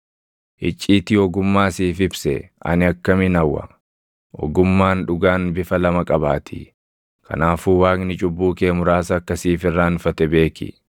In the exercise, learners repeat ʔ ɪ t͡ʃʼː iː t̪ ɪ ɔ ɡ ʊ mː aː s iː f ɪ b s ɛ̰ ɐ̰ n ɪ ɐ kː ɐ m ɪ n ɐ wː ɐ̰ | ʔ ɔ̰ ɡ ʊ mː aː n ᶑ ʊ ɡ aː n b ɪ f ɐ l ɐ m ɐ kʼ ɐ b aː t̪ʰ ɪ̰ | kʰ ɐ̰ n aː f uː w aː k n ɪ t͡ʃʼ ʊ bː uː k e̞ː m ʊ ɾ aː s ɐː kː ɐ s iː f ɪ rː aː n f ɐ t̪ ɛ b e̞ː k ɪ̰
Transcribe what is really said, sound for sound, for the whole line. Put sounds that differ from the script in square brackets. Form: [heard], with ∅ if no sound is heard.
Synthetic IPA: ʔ ɪ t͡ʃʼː iː t̪ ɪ ɔ ɡ ʊ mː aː s iː f ɪ b s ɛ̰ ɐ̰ n ɪ ɐ kː ɐ m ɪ n ɐ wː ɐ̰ | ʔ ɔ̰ ɡ ʊ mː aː n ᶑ ʊ ɡ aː n b ɪ f ɐ l ɐ m ɐ kʼ ɐ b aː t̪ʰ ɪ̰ | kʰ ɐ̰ n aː f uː w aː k n ɪ t͡ʃʼ ʊ bː uː k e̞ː m ʊ ɾ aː s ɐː kː ɐ s iː f ɪ rː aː n f ɐ t̪ ɛ b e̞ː k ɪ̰